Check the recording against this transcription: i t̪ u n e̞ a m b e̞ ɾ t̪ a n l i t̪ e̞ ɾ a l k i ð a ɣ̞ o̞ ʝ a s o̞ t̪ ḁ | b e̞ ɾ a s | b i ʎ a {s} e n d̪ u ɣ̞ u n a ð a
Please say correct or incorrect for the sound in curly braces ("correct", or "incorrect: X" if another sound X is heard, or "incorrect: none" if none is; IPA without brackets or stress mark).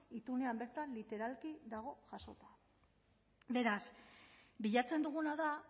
incorrect: t͡s